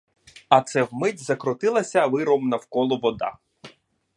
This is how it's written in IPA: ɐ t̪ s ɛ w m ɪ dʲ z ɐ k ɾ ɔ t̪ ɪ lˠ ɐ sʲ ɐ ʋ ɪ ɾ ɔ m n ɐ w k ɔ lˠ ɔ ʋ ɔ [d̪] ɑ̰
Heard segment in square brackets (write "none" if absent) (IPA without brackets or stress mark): d̪